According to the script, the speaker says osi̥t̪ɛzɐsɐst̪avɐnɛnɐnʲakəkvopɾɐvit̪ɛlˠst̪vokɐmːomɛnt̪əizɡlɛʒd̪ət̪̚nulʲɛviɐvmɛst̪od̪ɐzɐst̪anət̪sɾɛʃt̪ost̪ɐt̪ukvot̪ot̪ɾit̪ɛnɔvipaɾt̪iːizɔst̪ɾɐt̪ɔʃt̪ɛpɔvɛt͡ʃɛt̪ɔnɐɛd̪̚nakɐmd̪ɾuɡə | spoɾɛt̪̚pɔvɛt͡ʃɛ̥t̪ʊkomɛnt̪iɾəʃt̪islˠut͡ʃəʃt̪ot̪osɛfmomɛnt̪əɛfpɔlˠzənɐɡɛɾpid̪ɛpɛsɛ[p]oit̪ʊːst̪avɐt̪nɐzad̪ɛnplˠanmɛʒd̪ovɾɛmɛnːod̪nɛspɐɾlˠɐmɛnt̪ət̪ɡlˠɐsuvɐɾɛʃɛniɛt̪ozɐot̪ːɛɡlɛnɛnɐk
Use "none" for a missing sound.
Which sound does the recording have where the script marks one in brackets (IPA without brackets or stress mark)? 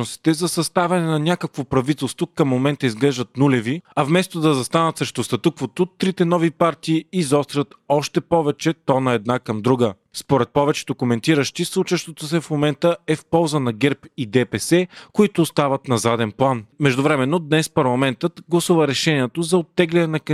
k